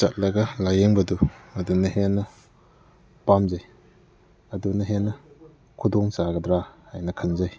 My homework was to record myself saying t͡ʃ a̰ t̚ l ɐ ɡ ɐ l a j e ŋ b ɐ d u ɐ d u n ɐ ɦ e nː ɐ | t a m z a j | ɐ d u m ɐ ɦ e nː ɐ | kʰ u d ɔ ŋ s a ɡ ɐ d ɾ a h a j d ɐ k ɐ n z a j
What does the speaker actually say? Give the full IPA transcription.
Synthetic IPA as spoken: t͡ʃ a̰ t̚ l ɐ ɡ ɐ l a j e ŋ b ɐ d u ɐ d u n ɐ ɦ e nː ɐ | p a m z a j | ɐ d u n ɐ ɦ e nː ɐ | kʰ u d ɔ ŋ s a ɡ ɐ d ɾ a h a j n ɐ kʰ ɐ n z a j